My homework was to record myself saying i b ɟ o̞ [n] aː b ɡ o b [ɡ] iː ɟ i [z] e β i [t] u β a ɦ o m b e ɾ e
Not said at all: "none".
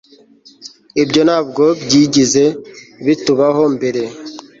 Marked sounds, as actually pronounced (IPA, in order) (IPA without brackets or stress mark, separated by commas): n, ɟ, z, t